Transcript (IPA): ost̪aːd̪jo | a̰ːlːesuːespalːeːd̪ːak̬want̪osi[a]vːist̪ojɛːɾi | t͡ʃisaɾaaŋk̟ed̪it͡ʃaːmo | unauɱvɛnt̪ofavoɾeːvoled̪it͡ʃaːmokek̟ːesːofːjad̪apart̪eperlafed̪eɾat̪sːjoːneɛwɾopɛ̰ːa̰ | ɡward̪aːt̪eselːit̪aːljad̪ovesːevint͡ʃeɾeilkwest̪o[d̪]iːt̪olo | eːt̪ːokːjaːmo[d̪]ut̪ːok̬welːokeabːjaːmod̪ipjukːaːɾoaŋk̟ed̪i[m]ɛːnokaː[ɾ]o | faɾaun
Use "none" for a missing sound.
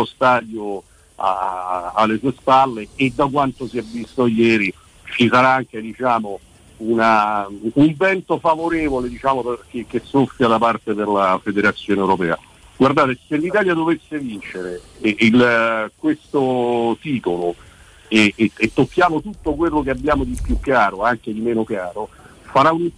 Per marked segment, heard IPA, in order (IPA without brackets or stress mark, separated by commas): ɛ, t̪, t̪, m, ɾ